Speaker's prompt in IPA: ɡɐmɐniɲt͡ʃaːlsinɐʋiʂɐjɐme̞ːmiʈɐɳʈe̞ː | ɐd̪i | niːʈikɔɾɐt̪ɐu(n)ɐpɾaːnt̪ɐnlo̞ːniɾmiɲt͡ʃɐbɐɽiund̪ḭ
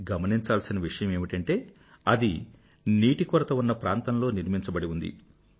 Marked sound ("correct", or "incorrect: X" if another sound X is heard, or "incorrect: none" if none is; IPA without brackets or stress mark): incorrect: nː